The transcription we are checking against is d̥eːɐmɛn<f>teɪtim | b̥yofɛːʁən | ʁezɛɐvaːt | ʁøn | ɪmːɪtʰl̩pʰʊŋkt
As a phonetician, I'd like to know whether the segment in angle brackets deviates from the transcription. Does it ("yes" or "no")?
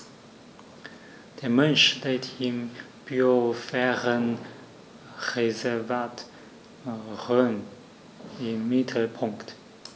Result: yes